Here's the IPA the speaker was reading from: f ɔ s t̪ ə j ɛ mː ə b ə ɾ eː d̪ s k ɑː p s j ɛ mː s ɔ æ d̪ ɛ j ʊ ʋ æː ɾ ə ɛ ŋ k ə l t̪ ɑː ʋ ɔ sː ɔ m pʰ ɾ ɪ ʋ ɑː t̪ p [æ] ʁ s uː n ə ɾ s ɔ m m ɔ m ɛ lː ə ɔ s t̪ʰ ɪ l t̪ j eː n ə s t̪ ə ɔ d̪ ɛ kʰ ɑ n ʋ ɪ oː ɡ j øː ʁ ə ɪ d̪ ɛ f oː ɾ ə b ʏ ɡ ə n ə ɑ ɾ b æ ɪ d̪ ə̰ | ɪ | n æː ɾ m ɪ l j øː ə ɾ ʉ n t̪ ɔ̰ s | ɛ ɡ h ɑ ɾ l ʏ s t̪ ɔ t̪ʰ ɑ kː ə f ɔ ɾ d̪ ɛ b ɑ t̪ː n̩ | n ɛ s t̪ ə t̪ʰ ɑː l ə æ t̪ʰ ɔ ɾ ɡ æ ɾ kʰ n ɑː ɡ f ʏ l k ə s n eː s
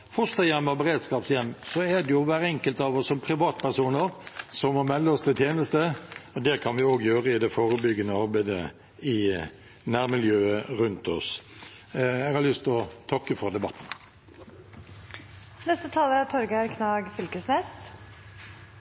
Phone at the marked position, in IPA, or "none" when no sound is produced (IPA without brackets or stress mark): æ